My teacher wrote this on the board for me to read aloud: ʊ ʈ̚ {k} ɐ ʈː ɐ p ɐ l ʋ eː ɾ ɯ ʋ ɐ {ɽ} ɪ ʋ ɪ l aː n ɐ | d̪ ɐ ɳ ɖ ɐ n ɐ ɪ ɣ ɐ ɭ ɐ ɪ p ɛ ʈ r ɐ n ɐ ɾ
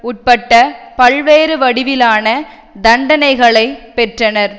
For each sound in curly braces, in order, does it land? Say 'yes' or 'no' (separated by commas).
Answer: no, yes